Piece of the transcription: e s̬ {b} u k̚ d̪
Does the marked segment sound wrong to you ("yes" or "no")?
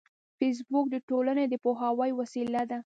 no